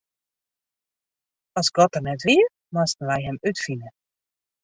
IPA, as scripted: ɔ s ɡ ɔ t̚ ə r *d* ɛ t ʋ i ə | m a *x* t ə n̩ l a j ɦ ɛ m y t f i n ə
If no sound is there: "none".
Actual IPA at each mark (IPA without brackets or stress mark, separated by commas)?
n, s